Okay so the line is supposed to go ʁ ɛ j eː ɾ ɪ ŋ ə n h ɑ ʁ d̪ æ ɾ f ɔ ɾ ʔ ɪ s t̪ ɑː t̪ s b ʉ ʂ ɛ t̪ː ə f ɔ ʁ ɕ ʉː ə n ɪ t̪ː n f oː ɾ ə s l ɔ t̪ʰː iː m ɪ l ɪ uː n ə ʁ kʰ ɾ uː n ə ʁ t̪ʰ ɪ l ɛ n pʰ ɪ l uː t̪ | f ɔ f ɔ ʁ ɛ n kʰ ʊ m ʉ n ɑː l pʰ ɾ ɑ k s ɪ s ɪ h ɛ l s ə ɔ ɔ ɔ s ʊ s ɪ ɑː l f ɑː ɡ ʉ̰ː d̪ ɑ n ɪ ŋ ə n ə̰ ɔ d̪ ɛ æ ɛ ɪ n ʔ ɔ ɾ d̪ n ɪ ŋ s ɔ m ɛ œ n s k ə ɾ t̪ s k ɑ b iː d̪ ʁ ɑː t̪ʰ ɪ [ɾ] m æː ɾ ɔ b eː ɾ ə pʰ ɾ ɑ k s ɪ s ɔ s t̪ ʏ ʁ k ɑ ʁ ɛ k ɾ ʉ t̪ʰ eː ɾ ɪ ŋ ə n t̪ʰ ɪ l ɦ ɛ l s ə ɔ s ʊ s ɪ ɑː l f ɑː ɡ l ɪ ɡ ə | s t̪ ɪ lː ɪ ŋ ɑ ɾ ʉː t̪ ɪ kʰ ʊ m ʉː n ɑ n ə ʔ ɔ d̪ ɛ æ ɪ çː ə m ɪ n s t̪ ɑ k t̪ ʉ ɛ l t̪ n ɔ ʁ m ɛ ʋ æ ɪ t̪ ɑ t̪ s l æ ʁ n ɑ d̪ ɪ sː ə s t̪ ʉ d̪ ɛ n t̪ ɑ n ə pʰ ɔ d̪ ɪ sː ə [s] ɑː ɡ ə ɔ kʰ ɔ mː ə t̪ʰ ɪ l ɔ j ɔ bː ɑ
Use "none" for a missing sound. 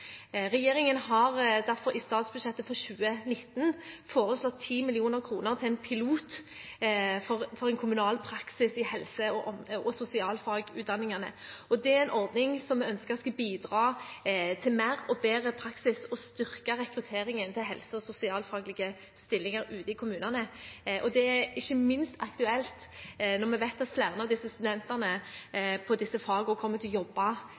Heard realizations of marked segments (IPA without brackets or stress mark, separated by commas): l, f